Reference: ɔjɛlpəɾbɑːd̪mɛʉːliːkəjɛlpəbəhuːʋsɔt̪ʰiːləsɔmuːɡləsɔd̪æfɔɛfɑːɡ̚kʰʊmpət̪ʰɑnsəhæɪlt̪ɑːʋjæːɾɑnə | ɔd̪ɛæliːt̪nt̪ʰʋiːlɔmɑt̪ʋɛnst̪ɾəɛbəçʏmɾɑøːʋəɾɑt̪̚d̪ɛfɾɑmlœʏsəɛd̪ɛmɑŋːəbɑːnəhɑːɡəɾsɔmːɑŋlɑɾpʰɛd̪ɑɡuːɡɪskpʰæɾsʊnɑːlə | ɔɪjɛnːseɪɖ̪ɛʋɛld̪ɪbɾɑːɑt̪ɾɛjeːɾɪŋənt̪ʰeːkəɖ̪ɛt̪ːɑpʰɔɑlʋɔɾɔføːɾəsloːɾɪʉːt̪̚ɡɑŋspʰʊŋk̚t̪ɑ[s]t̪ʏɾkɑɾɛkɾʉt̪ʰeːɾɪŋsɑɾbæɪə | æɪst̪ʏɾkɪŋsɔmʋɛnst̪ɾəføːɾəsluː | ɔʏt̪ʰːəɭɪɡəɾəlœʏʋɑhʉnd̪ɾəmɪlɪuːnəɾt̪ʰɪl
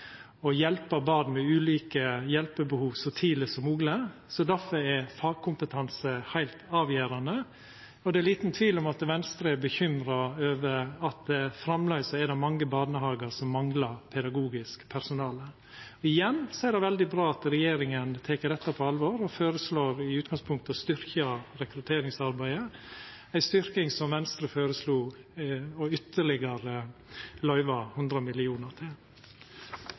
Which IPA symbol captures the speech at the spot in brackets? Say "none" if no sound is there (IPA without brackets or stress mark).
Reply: s